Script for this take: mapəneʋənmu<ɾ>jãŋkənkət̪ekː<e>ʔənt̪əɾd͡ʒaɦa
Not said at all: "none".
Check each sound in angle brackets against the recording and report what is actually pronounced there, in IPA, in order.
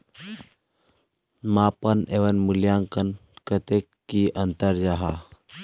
l, i

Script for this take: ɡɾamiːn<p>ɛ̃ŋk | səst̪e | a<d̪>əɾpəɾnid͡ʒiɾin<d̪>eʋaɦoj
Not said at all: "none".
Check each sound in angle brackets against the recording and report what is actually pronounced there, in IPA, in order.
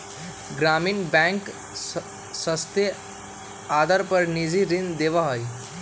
b, d̪, d̪

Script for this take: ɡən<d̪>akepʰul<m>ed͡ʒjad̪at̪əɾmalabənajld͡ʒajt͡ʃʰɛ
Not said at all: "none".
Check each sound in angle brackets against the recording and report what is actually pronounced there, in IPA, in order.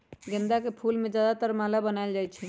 d̪, m

